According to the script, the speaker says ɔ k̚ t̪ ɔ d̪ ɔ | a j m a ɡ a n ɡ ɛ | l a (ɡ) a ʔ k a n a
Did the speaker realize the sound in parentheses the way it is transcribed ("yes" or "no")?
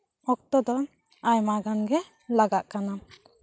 yes